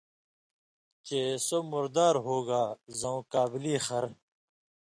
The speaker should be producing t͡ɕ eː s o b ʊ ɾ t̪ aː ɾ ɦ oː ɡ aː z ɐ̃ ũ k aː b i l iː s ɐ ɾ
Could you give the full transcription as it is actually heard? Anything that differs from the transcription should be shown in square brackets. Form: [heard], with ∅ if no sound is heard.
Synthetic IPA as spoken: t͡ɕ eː s o [m] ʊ ɾ [d̪] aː ɾ ɦ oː ɡ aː z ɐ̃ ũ k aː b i l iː [x] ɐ ɾ